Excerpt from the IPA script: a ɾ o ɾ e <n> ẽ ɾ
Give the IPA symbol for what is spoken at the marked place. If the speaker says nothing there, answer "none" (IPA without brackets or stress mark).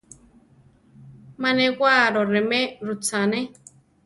m